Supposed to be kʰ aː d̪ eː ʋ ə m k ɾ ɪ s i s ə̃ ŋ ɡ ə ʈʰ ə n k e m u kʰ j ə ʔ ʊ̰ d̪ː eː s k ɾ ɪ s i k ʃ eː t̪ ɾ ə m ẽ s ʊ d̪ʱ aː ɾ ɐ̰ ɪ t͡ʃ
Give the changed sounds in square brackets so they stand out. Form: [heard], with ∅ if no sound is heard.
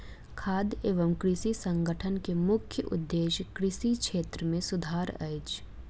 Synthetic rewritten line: kʰ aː d̪ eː ʋ ə m k ɾ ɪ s i s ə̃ ŋ ɡ ə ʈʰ ə n k e m [ʊ] kʰ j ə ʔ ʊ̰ d̪ː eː [ʃ] k ɾ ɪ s i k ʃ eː t̪ ɾ ə m ẽ s ʊ d̪ʱ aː ɾ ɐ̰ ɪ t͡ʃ